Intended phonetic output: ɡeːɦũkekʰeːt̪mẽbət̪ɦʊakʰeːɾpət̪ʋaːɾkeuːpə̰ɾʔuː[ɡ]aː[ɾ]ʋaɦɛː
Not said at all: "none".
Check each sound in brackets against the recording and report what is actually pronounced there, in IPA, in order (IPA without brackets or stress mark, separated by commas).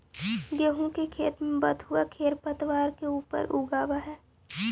ɡ, none